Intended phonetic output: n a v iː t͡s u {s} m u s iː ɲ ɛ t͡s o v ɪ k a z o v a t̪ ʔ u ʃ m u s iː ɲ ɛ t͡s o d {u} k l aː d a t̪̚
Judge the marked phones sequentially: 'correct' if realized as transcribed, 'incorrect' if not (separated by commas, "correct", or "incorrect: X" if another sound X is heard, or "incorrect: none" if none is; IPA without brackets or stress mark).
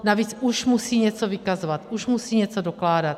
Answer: incorrect: ʃ, incorrect: o